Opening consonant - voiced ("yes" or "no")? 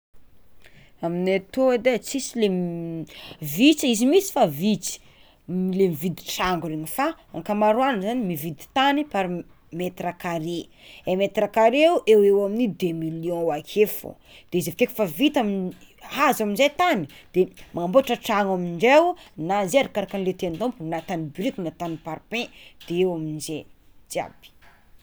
yes